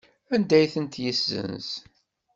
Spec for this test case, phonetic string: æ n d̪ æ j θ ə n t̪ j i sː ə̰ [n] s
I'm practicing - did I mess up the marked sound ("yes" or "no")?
no